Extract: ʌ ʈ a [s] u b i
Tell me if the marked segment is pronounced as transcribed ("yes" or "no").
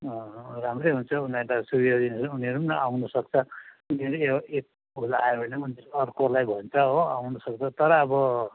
yes